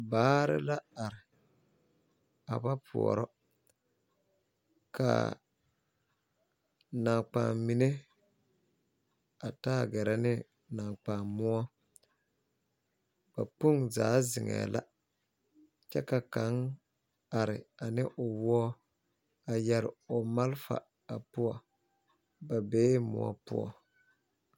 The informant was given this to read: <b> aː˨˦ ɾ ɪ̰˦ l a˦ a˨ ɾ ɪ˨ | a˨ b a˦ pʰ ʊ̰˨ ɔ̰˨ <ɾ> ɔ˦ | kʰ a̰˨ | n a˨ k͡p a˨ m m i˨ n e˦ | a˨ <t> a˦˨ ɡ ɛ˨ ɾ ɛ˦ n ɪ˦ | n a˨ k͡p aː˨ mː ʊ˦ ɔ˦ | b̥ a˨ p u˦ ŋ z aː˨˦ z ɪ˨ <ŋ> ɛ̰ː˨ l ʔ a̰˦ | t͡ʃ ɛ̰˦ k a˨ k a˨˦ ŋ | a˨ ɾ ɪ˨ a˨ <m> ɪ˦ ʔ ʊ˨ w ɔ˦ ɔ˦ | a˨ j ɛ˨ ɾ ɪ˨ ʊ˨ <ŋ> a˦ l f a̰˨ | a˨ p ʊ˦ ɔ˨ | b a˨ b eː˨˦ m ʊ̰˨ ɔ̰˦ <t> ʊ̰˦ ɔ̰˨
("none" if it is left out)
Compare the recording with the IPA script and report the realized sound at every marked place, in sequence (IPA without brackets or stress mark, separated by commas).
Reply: b, ɾ, t, ŋ, n, m, p